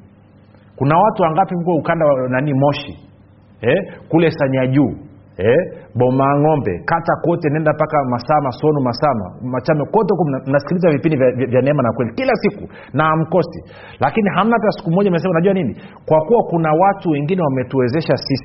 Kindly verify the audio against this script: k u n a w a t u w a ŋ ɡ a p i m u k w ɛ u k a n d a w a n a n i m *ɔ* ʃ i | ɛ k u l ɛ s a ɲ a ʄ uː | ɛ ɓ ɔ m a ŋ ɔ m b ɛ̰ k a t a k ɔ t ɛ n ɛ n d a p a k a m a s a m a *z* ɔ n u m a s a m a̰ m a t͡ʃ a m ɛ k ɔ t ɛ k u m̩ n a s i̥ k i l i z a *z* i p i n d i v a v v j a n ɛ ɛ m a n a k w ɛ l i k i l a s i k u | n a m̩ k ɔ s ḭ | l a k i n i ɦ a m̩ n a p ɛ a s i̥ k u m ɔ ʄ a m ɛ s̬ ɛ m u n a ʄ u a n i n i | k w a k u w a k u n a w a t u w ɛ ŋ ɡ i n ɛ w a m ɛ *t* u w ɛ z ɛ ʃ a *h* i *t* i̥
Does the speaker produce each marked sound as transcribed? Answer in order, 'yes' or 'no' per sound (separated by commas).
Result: yes, no, no, yes, no, no